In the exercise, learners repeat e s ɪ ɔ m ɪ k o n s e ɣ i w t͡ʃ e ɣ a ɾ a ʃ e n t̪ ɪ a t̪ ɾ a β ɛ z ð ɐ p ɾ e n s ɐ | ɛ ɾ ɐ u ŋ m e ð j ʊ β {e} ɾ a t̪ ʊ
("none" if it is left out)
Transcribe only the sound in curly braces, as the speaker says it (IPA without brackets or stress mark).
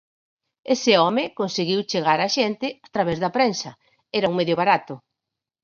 a